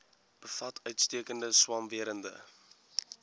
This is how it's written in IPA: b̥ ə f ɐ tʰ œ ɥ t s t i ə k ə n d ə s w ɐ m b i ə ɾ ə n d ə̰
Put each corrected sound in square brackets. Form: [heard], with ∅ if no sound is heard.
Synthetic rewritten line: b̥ ə f ɐ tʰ œ ɥ t s t i ə k ə n d ə s w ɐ m [v] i ə ɾ ə n d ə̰